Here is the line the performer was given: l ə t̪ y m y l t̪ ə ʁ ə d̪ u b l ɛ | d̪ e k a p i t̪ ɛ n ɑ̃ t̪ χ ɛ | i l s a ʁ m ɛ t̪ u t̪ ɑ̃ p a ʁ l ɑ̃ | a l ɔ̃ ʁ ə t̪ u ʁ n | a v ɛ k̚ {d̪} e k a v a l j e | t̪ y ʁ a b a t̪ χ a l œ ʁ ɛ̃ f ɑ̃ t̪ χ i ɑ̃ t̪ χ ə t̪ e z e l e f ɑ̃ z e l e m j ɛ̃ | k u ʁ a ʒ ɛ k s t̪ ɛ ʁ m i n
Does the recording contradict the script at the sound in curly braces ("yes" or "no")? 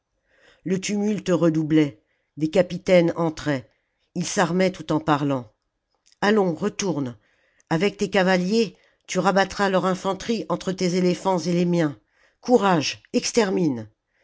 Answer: yes